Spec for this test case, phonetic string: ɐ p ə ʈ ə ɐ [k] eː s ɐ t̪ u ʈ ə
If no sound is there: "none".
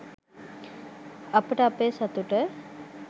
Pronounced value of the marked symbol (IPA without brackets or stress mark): p